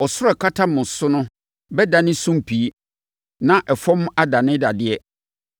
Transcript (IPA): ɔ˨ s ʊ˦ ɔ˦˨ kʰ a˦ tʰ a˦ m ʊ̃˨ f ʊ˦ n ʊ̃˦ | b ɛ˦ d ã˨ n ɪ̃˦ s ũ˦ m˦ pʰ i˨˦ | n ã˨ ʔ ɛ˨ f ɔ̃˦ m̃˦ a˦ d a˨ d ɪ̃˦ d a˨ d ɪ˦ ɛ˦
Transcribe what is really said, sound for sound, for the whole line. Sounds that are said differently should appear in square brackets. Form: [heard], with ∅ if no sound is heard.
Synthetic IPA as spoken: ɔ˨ s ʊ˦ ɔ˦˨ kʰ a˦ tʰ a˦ m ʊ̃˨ [s] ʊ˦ n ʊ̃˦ | b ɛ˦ d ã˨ n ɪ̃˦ s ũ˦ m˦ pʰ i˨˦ | n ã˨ ʔ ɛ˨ f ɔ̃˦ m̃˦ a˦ d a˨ [n] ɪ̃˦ d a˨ d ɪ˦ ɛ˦